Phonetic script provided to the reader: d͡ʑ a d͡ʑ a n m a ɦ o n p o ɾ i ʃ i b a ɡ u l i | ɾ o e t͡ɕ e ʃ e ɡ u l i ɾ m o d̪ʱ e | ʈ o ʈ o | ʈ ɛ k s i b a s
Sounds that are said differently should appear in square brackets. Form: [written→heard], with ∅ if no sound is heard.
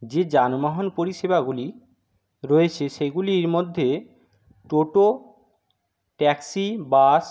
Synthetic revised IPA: d͡ʑ [a→e] d͡ʑ a n m a ɦ o n p o ɾ i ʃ [i→e] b a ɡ u l i | ɾ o e [t͡ɕ→t͡ɕʰ] e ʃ e ɡ u l i ɾ m o [d̪ʱ→d̪ʱː] e | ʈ o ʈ o | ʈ ɛ k s i b a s

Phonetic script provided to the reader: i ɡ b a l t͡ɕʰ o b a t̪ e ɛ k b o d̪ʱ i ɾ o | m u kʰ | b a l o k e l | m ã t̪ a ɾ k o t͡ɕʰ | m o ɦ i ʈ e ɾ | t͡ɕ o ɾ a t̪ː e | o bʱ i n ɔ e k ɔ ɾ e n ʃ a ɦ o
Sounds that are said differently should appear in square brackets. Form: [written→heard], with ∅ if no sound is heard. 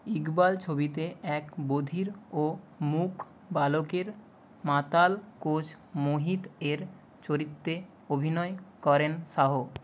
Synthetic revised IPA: i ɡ b a l t͡ɕʰ o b [a→i] t̪ e ɛ k b o d̪ʱ i ɾ o | m u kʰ | b a l o k e [l→ɾ] | m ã t̪ a [ɾ→l] k o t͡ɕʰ | m o ɦ i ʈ e ɾ | t͡ɕ o ɾ [a→i] t̪ː e | o bʱ i n ɔ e k ɔ ɾ e n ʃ a ɦ o

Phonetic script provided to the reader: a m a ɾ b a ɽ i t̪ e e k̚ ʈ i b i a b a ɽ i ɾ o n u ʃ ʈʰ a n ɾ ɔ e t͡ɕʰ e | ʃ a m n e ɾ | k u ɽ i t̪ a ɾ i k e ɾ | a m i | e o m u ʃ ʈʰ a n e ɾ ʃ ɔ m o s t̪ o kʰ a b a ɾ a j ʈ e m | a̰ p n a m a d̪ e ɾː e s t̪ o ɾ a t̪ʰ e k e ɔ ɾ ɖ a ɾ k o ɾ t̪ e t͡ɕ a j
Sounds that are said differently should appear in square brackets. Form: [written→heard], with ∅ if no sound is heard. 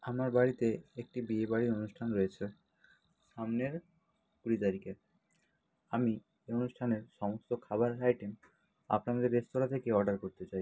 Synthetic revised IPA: a m a ɾ b a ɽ i t̪ e e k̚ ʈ i b i [a→e] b a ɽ i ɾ o n u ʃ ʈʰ a n ɾ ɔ e t͡ɕʰ e | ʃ a m n e ɾ | k u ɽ i t̪ a ɾ i k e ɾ | a m i | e o [m→n] u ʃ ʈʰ a n e ɾ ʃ ɔ m o s t̪ o kʰ a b a ɾ a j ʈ e m | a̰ p n a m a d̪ e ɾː e s t̪ o ɾ a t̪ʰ e k e ɔ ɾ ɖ a ɾ k o ɾ t̪ e t͡ɕ a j

